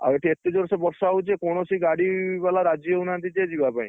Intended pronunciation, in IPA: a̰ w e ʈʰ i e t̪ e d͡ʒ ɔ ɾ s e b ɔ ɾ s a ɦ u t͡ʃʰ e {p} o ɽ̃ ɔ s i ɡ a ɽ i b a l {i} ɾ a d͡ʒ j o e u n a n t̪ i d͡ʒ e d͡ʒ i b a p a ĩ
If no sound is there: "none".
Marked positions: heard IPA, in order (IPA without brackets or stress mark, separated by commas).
k, a